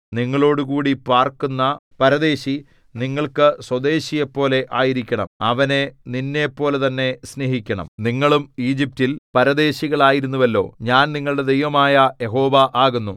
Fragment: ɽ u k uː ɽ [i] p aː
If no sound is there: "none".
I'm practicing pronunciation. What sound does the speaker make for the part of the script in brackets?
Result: i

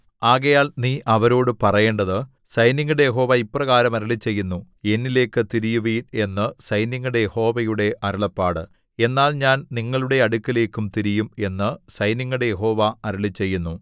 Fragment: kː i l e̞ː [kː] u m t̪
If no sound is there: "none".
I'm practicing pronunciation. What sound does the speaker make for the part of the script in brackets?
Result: kː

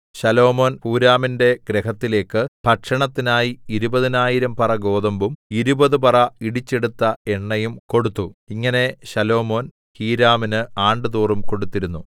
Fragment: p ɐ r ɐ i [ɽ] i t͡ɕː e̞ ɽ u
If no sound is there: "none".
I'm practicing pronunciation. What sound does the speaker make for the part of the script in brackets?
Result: ɽ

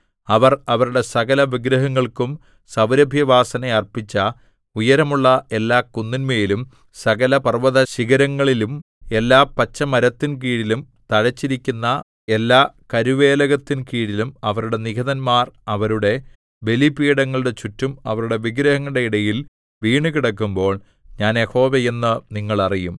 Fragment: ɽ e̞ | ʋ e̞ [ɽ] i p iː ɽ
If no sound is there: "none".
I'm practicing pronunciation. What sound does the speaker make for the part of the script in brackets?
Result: l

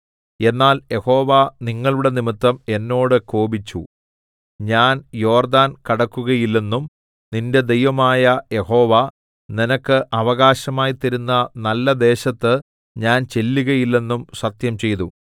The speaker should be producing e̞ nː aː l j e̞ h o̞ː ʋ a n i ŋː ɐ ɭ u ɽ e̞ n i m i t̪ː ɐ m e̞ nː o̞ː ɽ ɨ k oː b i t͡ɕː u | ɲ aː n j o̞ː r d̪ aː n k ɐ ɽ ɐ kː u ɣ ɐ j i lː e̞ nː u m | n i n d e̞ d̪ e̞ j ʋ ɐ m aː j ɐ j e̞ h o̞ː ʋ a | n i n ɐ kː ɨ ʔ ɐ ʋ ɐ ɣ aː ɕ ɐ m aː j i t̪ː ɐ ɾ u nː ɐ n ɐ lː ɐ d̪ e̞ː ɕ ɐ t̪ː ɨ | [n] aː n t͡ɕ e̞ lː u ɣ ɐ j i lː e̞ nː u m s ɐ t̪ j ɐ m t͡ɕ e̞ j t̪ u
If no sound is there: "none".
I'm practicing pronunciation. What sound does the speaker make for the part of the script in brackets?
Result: ɲ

